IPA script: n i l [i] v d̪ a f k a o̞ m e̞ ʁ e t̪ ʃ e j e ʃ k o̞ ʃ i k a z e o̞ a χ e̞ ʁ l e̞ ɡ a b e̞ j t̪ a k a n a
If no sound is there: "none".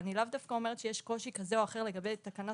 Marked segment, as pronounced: a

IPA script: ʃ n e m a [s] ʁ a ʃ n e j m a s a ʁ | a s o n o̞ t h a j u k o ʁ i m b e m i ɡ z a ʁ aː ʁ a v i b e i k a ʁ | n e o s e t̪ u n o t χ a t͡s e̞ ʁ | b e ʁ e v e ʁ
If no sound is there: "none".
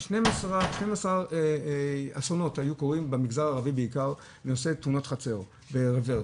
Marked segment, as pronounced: s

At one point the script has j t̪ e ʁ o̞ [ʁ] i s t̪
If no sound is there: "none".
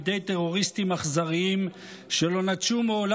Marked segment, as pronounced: ʁ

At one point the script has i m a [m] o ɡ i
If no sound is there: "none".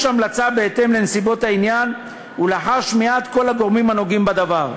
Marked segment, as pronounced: n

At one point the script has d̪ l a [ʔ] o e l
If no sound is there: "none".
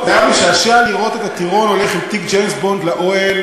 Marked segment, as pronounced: ʔ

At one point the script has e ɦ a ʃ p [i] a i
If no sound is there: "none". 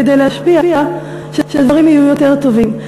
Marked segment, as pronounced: i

